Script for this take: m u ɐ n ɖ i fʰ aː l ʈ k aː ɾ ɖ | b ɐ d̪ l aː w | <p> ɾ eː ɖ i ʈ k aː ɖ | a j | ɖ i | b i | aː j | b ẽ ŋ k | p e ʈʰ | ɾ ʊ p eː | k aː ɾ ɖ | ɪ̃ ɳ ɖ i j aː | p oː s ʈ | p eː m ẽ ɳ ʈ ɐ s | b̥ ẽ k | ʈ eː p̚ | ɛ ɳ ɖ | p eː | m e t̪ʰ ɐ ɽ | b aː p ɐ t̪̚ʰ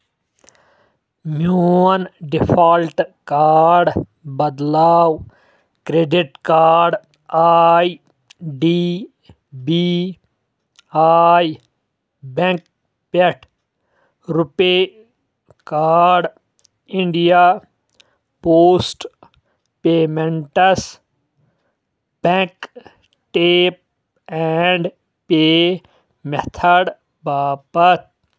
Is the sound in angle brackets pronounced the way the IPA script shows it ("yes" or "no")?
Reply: no